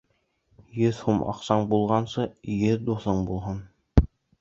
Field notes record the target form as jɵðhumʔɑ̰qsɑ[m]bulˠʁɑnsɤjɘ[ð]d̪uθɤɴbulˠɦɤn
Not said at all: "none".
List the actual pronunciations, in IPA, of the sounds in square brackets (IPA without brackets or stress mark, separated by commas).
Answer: ɴ, ð